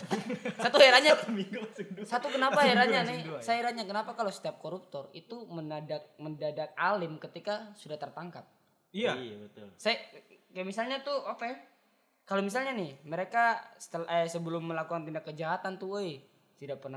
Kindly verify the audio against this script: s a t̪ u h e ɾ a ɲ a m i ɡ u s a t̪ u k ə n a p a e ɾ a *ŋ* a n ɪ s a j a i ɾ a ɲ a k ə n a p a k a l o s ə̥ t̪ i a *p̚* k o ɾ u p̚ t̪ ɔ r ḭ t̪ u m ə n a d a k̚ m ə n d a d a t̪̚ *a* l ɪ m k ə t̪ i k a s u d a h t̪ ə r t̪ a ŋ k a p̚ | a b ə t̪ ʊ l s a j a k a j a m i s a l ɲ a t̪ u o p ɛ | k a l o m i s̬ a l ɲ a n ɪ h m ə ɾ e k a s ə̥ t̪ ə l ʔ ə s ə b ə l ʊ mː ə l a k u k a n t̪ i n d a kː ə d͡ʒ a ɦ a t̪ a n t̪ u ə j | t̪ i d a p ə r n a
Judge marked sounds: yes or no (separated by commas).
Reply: no, yes, yes